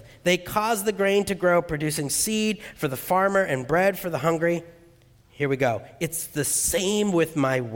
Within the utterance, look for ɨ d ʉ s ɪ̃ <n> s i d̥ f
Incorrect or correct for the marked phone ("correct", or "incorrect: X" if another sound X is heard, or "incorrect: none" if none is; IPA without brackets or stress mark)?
incorrect: ŋ